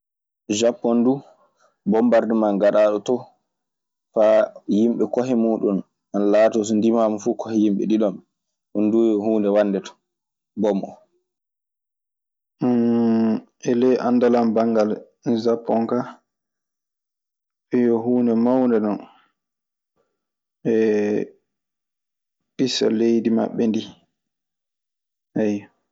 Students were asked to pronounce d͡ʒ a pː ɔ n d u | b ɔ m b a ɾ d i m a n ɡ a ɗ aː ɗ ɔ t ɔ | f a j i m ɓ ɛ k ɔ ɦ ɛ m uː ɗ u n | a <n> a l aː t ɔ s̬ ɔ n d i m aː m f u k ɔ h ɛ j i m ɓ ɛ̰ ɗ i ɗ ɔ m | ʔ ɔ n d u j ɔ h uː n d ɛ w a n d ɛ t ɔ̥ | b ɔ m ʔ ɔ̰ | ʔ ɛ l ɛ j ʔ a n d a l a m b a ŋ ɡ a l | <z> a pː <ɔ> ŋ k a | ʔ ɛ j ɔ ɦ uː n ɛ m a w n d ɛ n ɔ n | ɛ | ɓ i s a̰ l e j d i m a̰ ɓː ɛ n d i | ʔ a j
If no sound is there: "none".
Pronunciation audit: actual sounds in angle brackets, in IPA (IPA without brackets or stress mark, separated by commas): n, z, ɔ